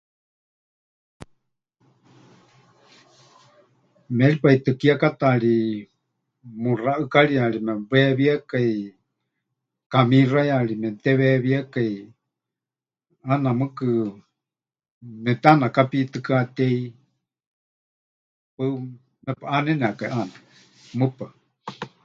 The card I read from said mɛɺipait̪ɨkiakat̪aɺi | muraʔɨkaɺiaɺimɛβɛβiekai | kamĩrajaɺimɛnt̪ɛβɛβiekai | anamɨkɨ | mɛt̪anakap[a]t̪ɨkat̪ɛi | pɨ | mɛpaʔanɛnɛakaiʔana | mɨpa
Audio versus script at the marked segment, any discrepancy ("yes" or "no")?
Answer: yes